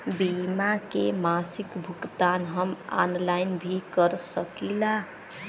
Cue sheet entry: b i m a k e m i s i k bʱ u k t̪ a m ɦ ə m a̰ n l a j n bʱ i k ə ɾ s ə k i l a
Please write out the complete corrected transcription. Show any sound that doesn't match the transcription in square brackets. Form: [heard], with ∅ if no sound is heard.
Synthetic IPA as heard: b i m a k e m [a] s i k bʱ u k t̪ a [n] ɦ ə m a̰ n l a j n bʱ i k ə ɾ s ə k i l a